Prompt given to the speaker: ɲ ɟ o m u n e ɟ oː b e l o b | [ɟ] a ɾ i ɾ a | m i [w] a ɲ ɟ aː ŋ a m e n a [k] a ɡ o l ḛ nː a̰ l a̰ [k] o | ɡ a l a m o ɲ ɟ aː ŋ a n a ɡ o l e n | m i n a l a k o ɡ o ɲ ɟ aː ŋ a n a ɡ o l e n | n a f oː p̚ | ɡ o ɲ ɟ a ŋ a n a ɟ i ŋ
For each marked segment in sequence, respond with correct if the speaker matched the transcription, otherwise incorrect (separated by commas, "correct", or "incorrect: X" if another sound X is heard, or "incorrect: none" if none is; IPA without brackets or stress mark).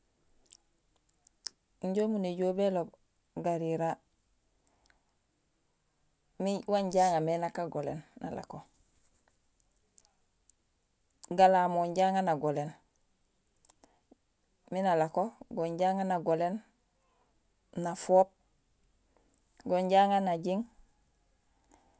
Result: incorrect: ɡ, correct, correct, correct